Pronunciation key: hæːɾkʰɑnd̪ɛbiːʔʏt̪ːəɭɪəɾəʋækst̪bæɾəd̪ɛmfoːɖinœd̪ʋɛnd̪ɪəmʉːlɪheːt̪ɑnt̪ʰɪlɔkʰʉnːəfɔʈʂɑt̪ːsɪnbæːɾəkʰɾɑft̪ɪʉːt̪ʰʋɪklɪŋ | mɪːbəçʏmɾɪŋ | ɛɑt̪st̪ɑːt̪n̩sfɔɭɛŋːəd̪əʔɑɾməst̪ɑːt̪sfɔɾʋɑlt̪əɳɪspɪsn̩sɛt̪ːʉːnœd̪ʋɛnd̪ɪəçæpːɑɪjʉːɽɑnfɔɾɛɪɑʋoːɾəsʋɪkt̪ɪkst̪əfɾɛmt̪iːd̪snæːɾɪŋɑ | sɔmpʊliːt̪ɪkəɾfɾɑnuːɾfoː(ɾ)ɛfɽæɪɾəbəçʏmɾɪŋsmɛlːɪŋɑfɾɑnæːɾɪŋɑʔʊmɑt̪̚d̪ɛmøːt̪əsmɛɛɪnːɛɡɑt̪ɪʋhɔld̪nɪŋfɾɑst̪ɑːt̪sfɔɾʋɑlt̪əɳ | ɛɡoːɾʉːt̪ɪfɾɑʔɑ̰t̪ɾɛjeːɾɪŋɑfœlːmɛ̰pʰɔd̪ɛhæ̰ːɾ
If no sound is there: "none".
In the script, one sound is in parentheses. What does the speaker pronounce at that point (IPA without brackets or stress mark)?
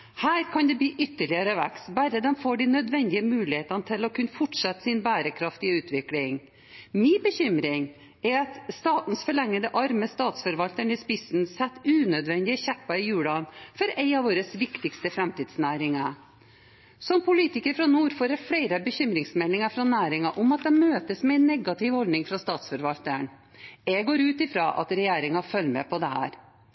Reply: ɾ